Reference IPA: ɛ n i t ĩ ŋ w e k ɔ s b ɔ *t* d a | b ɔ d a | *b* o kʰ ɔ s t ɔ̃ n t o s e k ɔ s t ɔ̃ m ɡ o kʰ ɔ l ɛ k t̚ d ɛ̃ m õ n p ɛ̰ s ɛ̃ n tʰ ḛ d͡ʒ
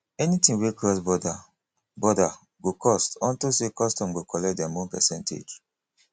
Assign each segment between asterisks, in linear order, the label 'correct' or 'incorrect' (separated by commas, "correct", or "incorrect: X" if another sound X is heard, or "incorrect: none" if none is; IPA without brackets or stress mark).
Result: incorrect: none, incorrect: ɡ